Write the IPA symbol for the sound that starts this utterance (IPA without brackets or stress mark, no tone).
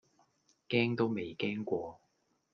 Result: k